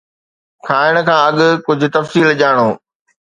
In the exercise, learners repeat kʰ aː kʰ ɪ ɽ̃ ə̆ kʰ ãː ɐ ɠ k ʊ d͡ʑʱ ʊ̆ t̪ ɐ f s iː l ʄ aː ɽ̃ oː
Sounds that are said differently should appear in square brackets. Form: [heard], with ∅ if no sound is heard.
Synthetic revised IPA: kʰ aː [∅] ɪ ɽ̃ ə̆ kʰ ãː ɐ ɠ k ʊ d͡ʑʱ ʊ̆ t̪ ɐ f s iː l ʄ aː ɽ̃ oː